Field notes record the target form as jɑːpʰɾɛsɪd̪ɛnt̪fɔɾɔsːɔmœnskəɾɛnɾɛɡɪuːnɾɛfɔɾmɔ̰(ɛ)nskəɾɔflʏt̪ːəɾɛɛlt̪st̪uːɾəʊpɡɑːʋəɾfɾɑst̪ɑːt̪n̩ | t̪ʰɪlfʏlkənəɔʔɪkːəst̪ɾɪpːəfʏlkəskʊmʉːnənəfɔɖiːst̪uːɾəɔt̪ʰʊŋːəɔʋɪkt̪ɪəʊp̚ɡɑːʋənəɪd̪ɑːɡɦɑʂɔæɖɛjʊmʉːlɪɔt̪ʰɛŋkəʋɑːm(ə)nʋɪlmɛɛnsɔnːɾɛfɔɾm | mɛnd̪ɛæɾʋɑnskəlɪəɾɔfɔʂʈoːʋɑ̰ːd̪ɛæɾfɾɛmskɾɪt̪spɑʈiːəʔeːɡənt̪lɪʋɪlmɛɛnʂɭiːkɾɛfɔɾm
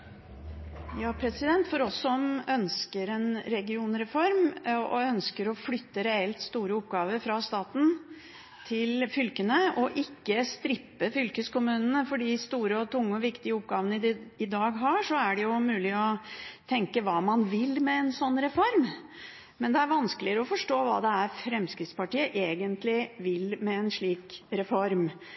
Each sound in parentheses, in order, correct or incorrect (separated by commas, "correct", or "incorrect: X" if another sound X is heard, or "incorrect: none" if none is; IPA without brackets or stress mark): incorrect: œ, incorrect: ɑ